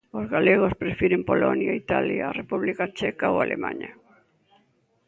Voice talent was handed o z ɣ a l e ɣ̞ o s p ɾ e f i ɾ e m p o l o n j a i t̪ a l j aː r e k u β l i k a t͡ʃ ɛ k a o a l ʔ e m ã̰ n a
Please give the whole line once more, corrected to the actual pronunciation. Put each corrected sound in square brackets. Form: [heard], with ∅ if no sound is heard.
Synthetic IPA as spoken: o z ɣ a l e ɣ̞ o s p ɾ e f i ɾ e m p o l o n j a i t̪ a l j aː r e [p] u β l i k a t͡ʃ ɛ k a o a l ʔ e m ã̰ [ɲ] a